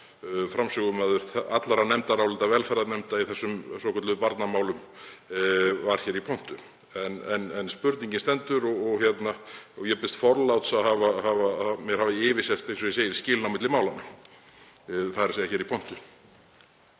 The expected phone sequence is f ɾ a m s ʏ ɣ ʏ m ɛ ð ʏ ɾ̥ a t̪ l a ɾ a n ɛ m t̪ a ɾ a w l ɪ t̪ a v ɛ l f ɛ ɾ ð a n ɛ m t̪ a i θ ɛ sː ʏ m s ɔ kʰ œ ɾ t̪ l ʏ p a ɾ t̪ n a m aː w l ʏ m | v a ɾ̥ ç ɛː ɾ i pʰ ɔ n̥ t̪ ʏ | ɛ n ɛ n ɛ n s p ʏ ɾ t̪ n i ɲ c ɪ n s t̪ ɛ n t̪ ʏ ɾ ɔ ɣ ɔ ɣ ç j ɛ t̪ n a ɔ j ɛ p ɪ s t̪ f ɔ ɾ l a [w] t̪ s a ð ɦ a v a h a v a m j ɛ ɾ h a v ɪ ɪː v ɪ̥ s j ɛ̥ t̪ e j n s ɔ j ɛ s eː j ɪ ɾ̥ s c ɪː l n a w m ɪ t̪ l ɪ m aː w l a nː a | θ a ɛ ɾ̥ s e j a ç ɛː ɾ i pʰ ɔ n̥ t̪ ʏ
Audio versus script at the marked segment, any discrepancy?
no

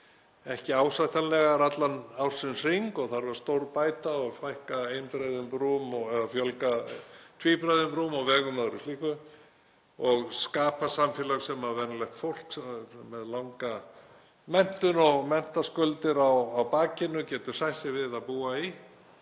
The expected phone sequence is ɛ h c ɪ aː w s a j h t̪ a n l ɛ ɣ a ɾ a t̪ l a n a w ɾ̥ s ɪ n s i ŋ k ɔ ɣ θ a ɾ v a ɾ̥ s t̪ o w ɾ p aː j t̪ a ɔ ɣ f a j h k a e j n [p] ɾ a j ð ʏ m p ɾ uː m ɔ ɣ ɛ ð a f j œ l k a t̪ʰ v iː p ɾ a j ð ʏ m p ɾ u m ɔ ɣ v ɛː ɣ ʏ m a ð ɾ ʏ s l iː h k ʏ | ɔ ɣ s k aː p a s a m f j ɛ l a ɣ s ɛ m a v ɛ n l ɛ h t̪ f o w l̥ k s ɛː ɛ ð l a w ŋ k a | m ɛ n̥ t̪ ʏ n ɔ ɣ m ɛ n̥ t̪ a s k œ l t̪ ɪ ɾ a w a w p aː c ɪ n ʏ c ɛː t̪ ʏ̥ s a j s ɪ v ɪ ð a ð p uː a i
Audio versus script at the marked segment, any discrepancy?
no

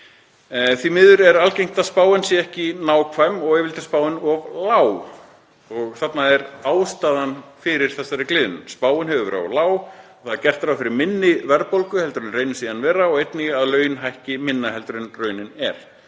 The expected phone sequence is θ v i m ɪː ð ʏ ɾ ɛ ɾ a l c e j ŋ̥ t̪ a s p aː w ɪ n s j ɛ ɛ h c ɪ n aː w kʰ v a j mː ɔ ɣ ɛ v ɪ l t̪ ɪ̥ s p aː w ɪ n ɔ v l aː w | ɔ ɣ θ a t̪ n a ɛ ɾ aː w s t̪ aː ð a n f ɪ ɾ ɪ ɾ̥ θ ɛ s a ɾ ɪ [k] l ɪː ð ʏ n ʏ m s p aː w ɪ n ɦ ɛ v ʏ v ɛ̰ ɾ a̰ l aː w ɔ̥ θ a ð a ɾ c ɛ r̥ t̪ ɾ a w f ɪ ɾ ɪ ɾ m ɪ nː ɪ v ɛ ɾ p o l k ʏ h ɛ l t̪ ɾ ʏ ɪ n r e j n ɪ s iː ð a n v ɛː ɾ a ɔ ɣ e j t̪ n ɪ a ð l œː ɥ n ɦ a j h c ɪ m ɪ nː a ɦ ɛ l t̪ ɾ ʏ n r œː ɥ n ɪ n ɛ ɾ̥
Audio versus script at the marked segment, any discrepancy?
no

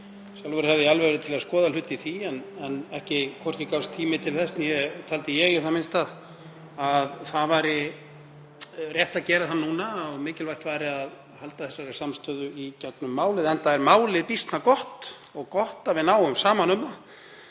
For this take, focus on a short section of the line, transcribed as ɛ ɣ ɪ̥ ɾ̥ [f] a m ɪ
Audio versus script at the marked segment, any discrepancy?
yes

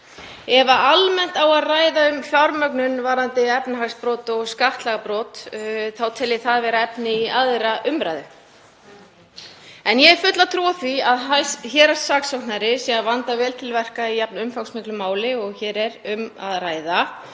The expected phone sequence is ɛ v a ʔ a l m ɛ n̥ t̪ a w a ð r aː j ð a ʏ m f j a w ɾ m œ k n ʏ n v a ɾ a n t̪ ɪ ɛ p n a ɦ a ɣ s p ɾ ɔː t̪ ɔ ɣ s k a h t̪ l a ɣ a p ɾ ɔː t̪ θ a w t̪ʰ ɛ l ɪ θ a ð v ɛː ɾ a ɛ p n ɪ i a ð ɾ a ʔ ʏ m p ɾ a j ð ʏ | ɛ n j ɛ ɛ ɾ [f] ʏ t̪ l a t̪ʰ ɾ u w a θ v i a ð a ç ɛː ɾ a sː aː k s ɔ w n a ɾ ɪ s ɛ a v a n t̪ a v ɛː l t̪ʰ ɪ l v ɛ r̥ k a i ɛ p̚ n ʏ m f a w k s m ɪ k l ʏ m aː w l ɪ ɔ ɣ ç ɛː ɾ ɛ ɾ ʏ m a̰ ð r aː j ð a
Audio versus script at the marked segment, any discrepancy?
no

